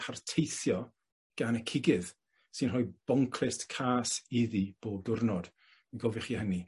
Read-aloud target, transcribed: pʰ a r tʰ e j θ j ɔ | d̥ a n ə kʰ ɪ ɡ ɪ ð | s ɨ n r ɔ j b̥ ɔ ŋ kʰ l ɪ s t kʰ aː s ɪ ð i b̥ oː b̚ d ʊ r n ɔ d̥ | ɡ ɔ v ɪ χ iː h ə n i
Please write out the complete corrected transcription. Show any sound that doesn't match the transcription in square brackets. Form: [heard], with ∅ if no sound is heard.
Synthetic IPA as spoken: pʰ a r tʰ e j θ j ɔ | [ɡ̥] a n ə kʰ ɪ ɡ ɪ ð | s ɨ n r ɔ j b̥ ɔ ŋ kʰ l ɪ s t kʰ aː s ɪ ð i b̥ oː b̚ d ʊ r n ɔ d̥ | ɡ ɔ v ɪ χ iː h ə n i